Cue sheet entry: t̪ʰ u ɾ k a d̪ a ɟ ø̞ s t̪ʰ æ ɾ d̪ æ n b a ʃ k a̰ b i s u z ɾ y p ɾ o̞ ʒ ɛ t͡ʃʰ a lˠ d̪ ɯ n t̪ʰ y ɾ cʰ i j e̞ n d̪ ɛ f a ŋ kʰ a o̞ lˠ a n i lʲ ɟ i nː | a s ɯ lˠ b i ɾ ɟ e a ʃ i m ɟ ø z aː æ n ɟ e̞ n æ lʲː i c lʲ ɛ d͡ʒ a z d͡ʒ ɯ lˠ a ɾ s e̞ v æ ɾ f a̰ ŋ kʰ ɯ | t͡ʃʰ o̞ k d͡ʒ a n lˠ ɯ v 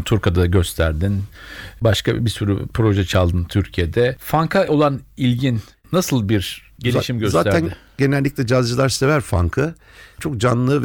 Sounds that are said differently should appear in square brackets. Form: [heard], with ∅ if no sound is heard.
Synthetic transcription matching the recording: t̪ʰ u ɾ k a d̪ a ɟ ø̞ s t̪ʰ æ ɾ d̪ [i] n b a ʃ k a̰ b i s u [∅] ɾ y p ɾ o̞ ʒ ɛ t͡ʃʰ a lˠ d̪ ɯ n t̪ʰ y ɾ cʰ i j e̞ [∅] d̪ ɛ f a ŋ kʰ a o̞ lˠ a n i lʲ ɟ i nː | a s ɯ lˠ b i ɾ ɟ e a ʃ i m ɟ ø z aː æ n ɟ e̞ n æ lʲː i c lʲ ɛ d͡ʒ a z d͡ʒ ɯ lˠ a ɾ s e̞ v æ ɾ f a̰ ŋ kʰ ɯ | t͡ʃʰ o̞ k d͡ʒ a n lˠ ɯ v